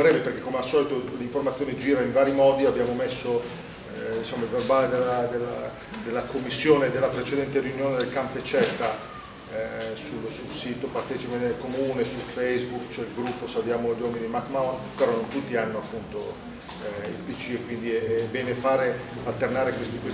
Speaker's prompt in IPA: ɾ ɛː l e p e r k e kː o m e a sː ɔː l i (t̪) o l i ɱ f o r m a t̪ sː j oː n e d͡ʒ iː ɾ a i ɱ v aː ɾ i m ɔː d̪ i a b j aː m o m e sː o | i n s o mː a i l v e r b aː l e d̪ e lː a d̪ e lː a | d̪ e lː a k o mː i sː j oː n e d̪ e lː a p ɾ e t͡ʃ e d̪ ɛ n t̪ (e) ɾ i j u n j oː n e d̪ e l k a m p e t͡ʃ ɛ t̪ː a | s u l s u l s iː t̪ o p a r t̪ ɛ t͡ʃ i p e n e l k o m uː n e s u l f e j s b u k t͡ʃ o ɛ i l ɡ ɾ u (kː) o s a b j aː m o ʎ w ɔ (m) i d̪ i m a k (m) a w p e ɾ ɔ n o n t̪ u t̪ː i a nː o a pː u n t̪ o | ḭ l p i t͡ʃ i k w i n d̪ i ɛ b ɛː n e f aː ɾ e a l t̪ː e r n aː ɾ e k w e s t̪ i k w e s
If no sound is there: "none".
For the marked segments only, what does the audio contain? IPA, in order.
t̪, e, pː, m, m

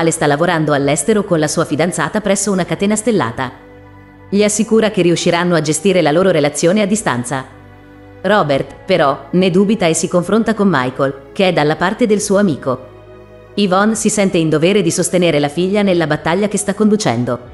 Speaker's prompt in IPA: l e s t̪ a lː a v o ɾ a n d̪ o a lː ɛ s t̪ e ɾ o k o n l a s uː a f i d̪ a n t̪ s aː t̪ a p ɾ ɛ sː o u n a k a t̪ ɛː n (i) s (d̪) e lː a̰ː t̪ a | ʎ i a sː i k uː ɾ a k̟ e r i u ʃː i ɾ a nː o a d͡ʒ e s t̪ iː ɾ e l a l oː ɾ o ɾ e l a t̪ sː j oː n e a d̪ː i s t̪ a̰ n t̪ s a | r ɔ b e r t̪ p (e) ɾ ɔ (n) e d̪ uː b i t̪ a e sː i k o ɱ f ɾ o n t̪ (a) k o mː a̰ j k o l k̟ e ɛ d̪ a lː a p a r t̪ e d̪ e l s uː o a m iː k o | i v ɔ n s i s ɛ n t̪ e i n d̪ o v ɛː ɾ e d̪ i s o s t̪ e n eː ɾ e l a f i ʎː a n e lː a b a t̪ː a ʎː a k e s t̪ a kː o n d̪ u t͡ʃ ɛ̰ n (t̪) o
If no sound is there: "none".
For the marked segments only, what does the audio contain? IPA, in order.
a, t̪, e, n, a, d̪

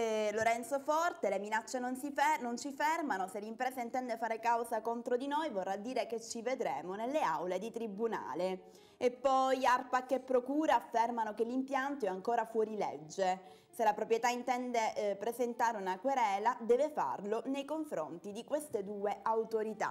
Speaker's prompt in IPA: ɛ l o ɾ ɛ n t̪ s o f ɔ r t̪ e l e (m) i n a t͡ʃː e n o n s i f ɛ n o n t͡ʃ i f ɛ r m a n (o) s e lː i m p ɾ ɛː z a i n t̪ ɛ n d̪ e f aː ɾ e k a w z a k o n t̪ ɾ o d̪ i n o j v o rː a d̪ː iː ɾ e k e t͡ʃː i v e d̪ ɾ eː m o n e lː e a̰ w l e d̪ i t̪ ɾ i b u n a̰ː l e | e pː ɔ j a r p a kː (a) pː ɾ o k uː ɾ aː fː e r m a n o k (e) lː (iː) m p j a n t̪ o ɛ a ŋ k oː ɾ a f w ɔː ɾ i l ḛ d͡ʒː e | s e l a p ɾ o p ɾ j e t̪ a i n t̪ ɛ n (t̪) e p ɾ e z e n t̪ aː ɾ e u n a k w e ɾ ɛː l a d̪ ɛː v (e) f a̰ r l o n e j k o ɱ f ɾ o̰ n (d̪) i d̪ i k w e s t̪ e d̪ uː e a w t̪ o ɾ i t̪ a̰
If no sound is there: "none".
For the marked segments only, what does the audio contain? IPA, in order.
m, o, e, e, i, d̪, e, t̪

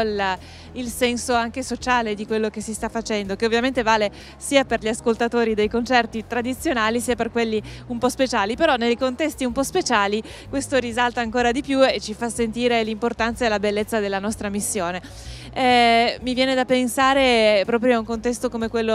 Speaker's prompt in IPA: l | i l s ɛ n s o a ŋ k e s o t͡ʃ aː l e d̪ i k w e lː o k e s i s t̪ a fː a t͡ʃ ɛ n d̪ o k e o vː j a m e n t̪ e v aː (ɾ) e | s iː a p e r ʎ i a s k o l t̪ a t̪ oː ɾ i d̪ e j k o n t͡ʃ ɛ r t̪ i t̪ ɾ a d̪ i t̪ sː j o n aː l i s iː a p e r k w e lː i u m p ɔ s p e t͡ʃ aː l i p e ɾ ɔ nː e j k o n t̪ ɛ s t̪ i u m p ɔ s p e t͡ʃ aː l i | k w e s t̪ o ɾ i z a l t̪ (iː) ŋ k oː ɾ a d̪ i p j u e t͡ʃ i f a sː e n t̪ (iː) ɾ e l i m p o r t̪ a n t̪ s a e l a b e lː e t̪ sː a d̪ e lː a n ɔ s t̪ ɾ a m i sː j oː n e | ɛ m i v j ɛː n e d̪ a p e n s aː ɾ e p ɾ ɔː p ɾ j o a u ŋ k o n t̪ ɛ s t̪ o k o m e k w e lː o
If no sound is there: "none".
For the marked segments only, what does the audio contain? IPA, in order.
l, aː, iː

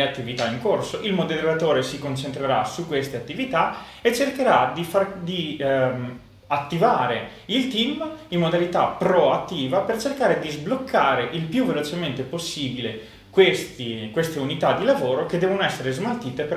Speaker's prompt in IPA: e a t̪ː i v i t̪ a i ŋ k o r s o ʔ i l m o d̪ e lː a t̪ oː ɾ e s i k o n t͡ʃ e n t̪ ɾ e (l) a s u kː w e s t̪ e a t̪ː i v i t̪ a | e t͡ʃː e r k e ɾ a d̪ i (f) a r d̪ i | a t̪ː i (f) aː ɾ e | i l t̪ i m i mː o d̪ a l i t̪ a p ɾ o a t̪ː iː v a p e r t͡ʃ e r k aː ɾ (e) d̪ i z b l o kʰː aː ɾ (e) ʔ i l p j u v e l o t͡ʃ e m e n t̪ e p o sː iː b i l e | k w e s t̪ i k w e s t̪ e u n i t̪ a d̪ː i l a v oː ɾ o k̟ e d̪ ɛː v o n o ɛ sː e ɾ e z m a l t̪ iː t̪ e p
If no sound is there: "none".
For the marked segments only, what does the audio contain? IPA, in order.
ɾ, f, v, e, e

